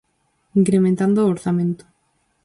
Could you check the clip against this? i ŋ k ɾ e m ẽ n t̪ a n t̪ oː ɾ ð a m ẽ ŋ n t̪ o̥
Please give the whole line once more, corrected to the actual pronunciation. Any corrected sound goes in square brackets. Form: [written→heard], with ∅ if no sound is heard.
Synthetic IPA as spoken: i ŋ k ɾ e m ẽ n t̪ a n [t̪→d̪] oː ɾ [ð→θ] a m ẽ [ŋ→∅] n t̪ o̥